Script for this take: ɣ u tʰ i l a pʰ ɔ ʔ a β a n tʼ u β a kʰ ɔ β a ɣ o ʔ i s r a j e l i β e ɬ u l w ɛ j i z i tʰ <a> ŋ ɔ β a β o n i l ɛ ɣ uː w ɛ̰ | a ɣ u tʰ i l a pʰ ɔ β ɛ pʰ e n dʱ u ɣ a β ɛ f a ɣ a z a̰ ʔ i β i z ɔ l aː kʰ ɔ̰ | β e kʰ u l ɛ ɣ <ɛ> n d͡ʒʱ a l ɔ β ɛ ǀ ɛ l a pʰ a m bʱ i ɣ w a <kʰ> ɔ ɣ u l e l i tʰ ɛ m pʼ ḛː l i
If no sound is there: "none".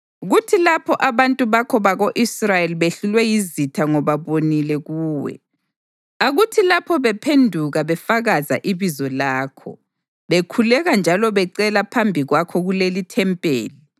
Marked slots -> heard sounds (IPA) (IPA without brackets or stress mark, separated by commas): a, a, kʰ